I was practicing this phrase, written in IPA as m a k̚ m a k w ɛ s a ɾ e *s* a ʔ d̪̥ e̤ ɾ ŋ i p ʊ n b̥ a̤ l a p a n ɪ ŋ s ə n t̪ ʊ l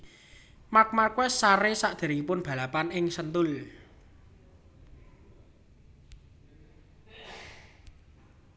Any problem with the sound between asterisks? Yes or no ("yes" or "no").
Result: no